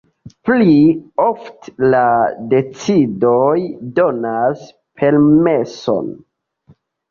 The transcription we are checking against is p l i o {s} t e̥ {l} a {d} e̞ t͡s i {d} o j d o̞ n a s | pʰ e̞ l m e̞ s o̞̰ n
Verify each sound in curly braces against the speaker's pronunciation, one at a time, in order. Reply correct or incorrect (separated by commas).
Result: incorrect, correct, correct, correct